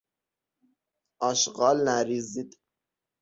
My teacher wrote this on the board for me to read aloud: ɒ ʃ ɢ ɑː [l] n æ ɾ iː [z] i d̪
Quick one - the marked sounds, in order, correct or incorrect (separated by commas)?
correct, correct